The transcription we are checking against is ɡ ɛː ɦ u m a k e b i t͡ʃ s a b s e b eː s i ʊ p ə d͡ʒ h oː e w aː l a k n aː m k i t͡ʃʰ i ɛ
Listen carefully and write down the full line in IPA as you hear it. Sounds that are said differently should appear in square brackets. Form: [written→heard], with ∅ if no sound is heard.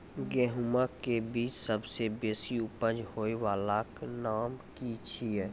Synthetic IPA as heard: ɡ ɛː ɦ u m a k e b [i→iː] t͡ʃ s [a→ə] b s e b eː s i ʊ p ə d͡ʒ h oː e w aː l a k n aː m k i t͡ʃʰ i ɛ